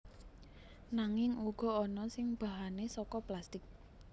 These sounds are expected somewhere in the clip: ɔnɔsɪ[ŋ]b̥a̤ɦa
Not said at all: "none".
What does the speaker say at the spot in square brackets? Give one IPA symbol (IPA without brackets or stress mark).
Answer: ŋ